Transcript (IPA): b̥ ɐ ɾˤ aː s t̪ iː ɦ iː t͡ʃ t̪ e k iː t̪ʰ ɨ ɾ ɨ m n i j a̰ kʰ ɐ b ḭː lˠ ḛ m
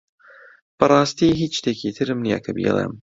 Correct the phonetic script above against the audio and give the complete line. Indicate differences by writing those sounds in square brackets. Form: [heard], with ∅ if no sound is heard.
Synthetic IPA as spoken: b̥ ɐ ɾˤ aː s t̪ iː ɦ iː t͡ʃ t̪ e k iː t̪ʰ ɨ ɾ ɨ m n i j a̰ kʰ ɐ b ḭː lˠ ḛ m